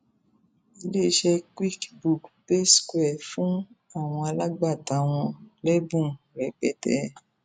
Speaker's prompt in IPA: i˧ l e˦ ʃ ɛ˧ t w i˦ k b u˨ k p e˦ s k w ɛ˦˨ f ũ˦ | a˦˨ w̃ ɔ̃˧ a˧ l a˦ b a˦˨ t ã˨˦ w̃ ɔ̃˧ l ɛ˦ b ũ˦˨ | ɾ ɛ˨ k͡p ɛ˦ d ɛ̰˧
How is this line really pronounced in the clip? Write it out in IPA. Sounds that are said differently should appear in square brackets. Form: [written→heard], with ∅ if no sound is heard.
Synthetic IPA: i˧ l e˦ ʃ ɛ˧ [t→k] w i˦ k b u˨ k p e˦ s k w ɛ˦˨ f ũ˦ | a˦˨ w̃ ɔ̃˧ a˧ l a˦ [b→ɡ͡b] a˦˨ t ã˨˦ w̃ ɔ̃˧ l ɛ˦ b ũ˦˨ | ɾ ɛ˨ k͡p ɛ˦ [d→t] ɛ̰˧